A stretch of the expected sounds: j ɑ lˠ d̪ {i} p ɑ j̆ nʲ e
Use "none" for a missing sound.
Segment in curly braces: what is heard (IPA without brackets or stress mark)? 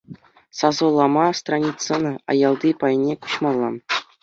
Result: i